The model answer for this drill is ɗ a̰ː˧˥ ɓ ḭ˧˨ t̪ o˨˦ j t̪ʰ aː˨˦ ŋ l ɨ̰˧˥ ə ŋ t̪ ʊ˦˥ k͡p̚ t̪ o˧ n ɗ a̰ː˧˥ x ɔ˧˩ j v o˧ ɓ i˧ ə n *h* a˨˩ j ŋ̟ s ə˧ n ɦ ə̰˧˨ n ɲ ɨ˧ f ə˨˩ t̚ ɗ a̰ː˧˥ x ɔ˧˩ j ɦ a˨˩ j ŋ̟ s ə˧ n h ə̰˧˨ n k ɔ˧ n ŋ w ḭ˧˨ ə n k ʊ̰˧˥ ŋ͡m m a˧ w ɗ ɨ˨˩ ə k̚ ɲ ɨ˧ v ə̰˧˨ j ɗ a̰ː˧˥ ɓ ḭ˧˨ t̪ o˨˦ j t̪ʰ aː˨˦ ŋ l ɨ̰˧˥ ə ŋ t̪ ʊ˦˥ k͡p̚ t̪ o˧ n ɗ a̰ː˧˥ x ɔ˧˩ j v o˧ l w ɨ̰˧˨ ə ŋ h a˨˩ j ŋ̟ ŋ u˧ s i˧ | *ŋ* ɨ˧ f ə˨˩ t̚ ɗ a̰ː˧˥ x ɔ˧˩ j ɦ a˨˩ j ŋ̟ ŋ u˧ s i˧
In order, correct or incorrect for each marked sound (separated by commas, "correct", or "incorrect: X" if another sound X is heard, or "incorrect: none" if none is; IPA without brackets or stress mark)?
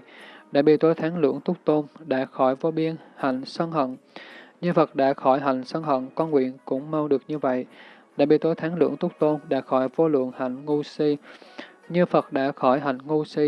correct, incorrect: ɲ